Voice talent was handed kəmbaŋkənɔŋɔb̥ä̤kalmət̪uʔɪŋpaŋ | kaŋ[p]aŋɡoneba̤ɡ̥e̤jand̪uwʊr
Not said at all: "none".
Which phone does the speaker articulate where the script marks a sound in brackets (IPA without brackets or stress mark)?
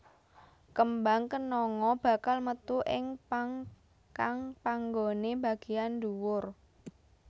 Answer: p